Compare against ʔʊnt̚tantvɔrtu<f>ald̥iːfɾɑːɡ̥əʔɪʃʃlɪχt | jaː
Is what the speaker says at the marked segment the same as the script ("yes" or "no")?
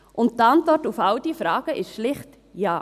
yes